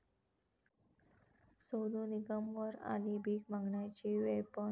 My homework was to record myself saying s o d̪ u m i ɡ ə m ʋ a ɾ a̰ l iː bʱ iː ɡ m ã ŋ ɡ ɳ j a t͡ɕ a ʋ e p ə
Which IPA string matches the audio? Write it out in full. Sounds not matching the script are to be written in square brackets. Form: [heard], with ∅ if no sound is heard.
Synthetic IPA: s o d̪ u [n] i ɡ ə m ʋ [ə] ɾ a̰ l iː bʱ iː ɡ m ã ŋ ɡ ɳ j a t͡ɕ [i] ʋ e p ə